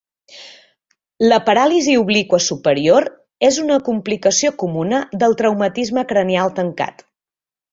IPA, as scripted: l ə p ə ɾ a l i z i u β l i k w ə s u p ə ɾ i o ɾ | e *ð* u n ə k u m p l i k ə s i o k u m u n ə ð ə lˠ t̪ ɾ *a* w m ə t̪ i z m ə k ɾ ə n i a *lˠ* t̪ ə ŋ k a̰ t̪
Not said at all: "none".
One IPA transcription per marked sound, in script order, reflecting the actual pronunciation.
z, ə, lˠ

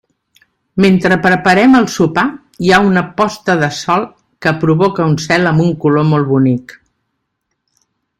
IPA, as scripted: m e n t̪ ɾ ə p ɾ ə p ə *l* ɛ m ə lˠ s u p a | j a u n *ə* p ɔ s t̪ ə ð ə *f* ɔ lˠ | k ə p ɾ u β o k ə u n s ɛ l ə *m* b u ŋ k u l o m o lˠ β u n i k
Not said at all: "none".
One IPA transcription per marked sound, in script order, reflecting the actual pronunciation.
ɾ, ə, s, m

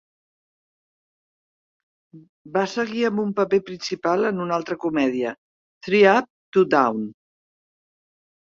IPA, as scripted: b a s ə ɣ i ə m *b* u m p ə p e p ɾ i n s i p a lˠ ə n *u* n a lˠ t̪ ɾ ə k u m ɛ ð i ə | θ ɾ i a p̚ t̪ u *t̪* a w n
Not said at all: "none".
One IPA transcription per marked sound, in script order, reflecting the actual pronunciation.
b, u, d̪

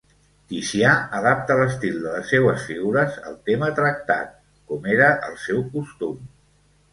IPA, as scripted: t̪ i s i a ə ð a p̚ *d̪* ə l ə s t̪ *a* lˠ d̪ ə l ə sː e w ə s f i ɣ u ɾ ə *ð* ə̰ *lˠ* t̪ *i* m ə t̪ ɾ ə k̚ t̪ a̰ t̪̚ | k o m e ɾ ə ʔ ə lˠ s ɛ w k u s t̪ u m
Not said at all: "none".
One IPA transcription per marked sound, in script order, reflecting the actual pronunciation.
t̪, i, z, lˠ, e

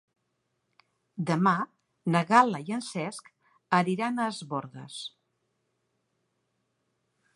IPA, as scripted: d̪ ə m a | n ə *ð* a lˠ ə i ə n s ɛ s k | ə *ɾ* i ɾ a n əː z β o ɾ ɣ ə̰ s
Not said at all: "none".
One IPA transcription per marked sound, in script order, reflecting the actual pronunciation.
ɣ, ɾ

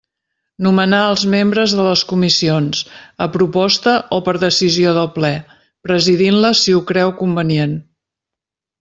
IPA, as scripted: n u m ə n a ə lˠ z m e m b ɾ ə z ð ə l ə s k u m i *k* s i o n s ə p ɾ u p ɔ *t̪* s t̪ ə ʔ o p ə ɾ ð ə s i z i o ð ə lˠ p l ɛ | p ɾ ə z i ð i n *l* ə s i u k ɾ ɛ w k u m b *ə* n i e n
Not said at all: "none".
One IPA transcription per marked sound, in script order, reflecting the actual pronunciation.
none, none, l, ə

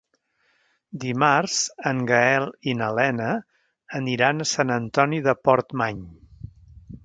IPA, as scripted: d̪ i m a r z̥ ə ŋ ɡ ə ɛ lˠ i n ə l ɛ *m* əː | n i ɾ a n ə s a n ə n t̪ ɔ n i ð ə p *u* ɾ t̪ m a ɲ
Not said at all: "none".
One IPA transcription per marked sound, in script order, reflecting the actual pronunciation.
n, ɔ

